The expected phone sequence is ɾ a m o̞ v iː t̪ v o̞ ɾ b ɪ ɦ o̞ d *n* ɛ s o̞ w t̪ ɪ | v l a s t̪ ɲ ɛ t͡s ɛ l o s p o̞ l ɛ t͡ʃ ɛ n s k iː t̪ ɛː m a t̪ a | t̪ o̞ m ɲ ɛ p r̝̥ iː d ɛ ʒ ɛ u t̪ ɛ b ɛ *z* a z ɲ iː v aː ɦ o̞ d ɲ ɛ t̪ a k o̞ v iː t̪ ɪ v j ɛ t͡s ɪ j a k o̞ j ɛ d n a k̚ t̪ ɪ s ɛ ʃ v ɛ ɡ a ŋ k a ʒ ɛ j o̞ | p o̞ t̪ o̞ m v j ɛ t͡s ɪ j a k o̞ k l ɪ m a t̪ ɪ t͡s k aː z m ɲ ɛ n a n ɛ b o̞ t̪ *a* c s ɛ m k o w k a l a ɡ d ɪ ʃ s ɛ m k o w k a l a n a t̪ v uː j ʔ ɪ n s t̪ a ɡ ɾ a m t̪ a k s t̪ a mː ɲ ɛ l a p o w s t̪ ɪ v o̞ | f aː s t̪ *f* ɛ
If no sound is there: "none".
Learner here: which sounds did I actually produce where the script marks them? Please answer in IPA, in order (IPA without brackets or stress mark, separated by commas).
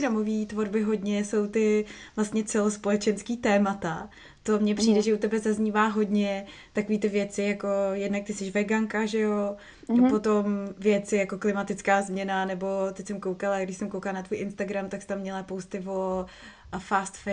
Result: ɲ, z, ɛ, f